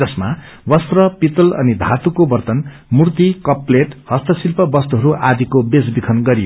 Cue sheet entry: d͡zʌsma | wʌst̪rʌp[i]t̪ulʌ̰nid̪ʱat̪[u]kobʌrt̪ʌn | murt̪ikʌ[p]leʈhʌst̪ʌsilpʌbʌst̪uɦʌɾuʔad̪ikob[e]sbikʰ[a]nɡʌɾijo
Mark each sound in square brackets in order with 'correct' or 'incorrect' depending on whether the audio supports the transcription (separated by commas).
correct, correct, correct, correct, incorrect